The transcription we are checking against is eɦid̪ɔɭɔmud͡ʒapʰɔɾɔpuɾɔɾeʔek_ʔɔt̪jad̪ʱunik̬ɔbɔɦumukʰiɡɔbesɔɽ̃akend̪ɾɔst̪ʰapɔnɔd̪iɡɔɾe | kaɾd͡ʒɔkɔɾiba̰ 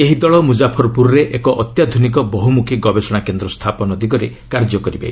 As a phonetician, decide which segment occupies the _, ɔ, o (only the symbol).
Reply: ɔ